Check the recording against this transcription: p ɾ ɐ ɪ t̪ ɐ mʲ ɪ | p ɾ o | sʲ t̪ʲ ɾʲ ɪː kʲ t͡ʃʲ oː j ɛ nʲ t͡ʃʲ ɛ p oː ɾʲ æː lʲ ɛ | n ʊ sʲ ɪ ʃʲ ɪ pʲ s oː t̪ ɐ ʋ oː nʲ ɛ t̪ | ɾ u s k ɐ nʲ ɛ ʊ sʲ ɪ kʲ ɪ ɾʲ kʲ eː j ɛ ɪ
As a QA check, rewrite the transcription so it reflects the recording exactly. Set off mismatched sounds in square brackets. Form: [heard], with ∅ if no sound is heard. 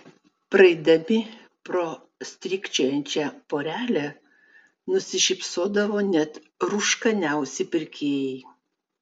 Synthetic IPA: p ɾ ɐ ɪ [d̪] ɐ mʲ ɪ | p ɾ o | sʲ t̪ʲ ɾʲ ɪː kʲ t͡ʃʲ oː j ɛ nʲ t͡ʃʲ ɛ p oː ɾʲ æː lʲ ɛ | n ʊ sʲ ɪ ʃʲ ɪ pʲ s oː [d̪] ɐ ʋ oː nʲ ɛ t̪ | ɾ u [ʃ] k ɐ nʲ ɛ ʊ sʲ ɪ [pʲ] ɪ ɾʲ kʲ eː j ɛ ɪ